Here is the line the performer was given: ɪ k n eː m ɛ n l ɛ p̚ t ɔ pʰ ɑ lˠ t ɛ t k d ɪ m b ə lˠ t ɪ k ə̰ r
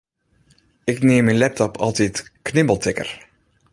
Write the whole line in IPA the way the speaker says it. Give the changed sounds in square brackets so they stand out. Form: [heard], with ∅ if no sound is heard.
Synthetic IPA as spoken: ɪ k n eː m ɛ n l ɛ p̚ t ɔ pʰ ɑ lˠ t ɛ t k [n] ɪ m b ə lˠ t ɪ k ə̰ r